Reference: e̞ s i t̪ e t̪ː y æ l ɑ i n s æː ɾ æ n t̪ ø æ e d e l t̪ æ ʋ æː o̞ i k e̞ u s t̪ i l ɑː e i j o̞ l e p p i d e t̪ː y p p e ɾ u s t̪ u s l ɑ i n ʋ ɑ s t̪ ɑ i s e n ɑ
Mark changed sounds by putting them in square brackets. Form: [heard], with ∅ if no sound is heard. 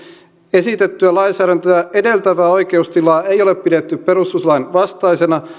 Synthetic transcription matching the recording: e̞ s i t̪ e t̪ː y æ l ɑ i n s æː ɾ æ n t̪ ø æ e d e l t̪ æ ʋ æː o̞ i k e̞ u s t̪ i l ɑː e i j o̞ l e p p i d e t̪ː y p p e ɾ u s t̪ u s l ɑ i n ʋ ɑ s t̪ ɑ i s e n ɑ